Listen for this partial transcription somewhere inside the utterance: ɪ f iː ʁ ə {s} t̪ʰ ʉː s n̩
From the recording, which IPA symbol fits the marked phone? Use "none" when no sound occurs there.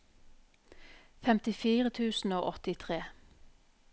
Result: none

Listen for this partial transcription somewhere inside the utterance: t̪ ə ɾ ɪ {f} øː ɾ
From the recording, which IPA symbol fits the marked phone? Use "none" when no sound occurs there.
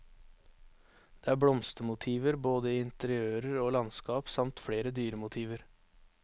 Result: none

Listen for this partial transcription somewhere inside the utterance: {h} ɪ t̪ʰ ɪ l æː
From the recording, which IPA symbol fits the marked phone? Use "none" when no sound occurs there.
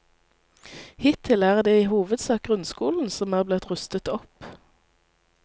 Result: h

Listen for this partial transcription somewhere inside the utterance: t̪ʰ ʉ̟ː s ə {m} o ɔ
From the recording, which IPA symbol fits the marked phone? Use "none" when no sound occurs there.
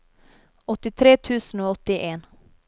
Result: n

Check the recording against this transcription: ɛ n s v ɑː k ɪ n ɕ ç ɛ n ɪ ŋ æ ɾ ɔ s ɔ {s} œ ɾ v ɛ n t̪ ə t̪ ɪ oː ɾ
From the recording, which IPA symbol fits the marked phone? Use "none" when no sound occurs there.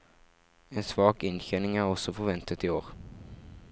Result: f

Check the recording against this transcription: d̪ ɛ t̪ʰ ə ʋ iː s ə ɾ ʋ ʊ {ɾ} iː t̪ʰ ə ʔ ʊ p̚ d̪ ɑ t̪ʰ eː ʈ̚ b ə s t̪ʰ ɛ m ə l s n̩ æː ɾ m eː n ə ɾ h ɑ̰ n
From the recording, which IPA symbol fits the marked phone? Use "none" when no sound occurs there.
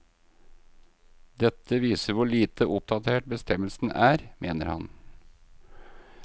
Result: ɭ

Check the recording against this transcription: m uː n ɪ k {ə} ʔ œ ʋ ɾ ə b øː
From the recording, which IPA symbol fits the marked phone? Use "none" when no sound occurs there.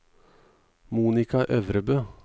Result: ɑ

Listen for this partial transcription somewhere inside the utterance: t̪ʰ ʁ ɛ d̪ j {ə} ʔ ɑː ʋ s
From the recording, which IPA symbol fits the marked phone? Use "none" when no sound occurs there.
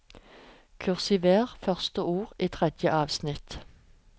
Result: ə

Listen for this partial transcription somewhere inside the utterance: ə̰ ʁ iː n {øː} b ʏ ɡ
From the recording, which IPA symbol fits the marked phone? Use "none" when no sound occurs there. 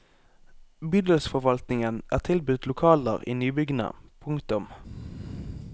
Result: yː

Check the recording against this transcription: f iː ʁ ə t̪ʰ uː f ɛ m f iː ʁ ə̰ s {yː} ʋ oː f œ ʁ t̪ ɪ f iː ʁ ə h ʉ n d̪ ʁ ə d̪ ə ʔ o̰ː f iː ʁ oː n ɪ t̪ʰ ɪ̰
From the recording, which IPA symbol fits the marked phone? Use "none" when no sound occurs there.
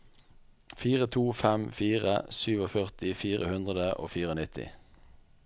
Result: yː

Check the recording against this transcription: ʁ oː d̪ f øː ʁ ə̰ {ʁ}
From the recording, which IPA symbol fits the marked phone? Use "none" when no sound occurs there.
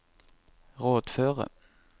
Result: none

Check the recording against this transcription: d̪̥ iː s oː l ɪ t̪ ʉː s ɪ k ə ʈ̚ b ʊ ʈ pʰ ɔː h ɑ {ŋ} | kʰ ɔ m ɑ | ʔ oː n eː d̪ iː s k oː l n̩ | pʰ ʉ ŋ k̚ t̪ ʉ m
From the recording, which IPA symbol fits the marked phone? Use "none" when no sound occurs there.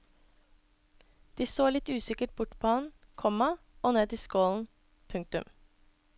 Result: n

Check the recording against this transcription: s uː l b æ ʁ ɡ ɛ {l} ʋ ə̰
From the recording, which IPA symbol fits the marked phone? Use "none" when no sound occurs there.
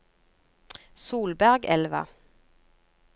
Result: l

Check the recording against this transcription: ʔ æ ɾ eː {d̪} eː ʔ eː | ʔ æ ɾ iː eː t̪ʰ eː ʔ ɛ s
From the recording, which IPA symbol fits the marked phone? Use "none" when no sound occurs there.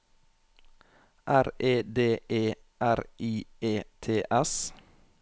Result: d̪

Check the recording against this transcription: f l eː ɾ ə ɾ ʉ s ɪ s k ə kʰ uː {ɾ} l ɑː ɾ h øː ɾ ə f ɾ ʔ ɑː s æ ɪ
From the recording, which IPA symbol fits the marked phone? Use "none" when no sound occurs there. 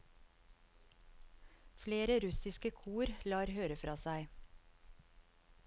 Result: ɾ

